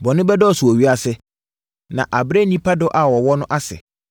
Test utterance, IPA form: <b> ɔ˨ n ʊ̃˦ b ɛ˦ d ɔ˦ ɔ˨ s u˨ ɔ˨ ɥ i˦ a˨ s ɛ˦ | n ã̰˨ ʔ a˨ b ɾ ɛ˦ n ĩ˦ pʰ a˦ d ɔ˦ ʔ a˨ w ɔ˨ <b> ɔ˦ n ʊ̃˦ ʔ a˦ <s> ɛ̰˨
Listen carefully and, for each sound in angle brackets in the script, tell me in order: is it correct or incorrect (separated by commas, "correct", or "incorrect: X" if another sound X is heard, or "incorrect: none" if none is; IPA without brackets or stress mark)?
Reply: correct, incorrect: w, correct